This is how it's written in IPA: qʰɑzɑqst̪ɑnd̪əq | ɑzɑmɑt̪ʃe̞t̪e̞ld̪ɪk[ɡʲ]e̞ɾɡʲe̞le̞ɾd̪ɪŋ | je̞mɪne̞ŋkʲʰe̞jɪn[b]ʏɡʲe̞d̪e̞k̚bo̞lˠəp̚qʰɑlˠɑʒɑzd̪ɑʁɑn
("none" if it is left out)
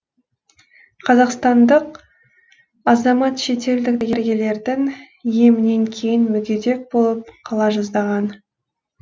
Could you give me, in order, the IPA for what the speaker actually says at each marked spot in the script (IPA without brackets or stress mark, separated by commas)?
ɡʲ, m